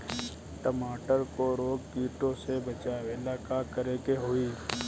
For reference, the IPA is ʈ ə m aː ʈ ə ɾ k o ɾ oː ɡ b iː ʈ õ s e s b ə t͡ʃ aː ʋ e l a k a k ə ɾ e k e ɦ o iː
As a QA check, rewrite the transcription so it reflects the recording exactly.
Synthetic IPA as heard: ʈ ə m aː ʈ ə ɾ k o ɾ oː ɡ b iː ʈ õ s e b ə t͡ʃ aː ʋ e l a k a k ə ɾ e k e ɦ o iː